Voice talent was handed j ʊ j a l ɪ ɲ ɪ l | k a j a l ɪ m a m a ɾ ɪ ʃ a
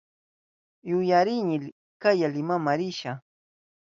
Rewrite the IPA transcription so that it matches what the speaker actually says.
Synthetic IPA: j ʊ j a ɾ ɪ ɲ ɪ l | k a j a l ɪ m a m a ɾ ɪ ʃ a